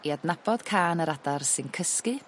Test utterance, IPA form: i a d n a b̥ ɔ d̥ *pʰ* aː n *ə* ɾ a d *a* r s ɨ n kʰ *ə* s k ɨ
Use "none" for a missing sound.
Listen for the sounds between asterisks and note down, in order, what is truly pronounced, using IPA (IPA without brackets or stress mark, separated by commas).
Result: kʰ, ə, a, ə